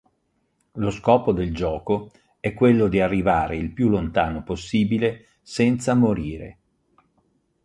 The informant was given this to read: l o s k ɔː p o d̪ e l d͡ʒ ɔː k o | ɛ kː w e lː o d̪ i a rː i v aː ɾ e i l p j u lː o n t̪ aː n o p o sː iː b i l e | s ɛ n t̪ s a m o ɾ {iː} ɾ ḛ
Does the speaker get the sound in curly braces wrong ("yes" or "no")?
no